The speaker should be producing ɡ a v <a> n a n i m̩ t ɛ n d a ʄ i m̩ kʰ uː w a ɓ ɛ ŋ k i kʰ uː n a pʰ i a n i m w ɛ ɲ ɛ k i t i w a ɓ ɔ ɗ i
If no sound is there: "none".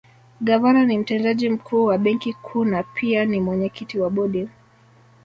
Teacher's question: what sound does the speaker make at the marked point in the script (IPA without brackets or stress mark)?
a